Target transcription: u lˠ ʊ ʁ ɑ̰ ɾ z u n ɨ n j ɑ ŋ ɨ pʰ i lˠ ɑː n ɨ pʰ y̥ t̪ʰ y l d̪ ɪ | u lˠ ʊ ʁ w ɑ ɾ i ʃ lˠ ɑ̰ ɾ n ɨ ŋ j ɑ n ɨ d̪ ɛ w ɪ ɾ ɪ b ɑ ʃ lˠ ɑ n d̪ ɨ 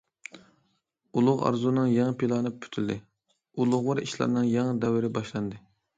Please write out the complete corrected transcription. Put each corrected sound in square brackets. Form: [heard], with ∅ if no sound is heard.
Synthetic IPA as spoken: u lˠ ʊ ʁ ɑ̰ ɾ z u n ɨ [ŋ] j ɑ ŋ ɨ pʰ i lˠ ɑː n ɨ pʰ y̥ t̪ʰ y l d̪ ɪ | u lˠ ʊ ʁ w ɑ ɾ i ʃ lˠ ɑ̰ ɾ n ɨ ŋ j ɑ [ŋ] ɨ d̪ ɛ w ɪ ɾ ɪ b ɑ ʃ lˠ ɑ n d̪ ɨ